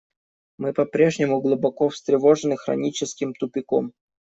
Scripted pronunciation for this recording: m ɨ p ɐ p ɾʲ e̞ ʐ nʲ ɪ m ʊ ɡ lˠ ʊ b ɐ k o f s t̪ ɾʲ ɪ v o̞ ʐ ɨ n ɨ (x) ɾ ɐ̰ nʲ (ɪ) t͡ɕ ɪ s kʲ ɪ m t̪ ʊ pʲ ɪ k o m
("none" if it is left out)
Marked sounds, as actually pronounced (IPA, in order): x, i

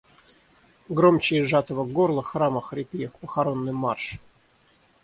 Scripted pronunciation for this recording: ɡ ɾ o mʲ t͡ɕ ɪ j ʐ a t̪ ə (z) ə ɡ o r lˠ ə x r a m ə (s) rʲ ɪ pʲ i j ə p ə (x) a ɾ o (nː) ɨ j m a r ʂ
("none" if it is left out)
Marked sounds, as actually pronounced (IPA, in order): v, x, x, nː

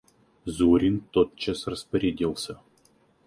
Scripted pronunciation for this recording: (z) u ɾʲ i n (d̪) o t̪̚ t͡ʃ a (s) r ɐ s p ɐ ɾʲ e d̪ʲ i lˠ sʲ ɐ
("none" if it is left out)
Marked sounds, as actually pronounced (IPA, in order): z, t̪, s

